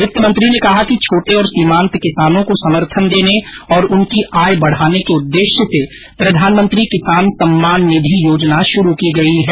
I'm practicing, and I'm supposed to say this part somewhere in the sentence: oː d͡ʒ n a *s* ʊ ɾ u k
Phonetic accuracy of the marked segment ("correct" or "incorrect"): incorrect